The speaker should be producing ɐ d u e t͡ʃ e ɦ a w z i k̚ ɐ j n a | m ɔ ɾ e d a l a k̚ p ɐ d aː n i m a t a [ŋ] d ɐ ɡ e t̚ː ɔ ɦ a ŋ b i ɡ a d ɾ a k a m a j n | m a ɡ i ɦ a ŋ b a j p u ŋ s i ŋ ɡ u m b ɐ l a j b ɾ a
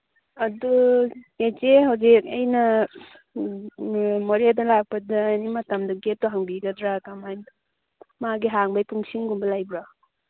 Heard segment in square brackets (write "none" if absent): m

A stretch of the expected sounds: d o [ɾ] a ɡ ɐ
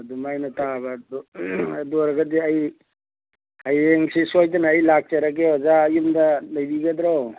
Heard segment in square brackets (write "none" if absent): ɾ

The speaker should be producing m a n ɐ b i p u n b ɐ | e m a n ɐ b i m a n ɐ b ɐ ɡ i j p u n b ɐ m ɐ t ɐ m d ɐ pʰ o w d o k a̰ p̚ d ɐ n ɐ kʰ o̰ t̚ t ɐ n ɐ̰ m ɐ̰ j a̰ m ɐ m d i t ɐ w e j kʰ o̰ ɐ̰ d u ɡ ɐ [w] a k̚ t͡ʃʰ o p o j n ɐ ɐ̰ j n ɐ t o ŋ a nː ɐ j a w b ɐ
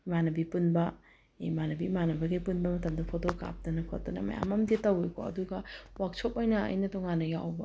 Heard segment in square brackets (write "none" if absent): w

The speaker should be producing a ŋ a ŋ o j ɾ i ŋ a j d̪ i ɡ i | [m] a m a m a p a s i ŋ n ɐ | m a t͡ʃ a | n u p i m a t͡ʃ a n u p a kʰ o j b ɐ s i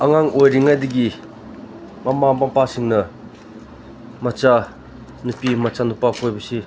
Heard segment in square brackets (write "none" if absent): m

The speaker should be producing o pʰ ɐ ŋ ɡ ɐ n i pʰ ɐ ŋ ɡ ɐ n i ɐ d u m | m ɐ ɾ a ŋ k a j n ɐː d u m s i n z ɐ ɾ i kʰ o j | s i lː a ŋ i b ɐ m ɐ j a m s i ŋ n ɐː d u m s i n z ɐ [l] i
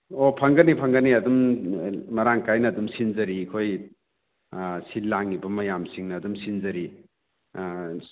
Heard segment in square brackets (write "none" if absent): ɾ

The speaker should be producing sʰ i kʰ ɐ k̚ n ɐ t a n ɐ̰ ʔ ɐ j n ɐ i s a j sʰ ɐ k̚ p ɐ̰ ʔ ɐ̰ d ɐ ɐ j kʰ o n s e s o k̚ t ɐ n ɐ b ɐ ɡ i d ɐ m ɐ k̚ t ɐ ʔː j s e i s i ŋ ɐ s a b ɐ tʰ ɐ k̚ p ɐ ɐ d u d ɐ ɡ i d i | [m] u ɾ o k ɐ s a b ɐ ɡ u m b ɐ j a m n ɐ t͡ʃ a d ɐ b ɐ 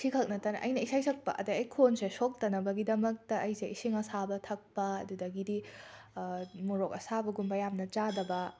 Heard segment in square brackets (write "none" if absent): m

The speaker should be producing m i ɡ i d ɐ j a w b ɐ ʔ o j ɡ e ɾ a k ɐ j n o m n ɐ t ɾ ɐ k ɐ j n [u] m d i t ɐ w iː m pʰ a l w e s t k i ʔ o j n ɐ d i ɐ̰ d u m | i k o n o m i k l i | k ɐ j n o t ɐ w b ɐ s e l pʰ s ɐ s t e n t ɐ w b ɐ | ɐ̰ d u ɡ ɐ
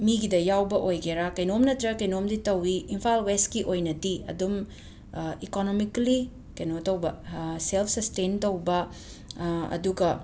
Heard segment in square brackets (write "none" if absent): o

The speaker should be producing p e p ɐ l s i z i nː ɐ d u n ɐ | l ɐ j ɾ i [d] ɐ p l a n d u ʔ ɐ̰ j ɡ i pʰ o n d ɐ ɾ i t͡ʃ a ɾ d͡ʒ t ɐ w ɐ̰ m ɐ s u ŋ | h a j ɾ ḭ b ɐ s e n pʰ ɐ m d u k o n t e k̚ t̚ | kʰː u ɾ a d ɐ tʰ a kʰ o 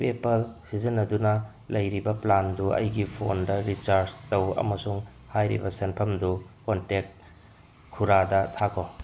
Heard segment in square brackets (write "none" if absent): b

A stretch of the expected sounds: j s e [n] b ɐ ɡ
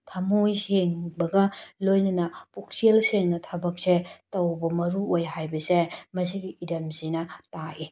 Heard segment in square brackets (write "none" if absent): ŋ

